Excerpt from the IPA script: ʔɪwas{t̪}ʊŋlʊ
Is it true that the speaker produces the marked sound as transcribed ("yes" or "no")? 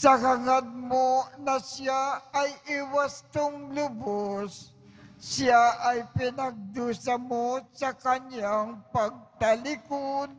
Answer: yes